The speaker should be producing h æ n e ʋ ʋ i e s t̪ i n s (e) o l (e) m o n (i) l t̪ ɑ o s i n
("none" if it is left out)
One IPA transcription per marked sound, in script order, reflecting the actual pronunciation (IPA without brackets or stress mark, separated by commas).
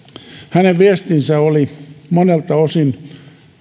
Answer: æ, i, e